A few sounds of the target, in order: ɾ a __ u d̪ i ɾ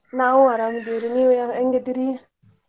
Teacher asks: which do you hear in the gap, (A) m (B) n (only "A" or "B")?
A